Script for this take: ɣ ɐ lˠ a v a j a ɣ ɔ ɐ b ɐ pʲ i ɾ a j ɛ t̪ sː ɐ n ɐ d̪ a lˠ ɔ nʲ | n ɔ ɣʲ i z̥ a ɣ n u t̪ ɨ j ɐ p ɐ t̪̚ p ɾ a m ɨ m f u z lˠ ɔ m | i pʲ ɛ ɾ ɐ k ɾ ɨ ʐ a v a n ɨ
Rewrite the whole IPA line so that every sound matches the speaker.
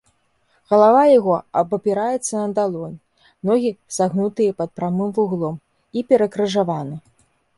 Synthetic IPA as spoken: ɣ ɐ lˠ a v a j a ɣ ɔ ɐ b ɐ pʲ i ɾ a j ɛ t̪ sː ɐ n ɐ d̪ a lˠ ɔ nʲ | n ɔ ɣʲ i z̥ a ɣ n u t̪ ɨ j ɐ p ɐ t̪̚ p ɾ a m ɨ m v u ɣ lˠ ɔ m | i pʲ ɛ ɾ ɐ k ɾ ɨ ʐ a v a n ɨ